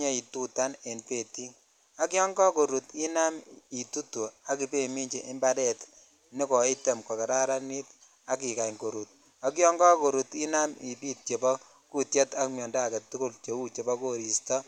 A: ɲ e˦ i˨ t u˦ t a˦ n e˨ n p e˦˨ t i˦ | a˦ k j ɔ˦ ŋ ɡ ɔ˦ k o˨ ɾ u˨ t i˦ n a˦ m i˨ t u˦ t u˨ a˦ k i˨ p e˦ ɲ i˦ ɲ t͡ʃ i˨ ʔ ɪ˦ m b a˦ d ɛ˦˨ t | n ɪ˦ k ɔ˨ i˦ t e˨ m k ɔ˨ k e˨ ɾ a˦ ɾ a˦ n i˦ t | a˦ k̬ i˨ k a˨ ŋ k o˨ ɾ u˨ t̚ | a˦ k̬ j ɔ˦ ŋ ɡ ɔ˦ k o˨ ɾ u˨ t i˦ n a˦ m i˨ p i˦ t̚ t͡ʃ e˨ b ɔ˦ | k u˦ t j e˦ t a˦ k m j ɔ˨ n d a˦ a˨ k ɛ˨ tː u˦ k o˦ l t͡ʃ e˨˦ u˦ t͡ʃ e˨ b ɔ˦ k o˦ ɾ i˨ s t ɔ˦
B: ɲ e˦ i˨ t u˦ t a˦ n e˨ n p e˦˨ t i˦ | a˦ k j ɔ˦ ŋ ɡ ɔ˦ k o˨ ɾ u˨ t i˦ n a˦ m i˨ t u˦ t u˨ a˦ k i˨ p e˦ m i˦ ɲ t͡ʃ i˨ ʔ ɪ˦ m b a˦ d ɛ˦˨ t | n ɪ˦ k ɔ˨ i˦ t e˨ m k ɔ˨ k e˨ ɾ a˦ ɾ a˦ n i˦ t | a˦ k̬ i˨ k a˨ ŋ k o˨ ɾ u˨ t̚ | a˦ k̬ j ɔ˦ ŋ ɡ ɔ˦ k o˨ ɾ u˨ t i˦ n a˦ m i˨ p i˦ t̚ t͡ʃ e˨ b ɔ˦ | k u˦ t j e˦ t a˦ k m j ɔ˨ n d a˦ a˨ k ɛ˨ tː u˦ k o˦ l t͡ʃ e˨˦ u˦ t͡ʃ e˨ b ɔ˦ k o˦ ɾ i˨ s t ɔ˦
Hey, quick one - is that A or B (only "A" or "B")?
B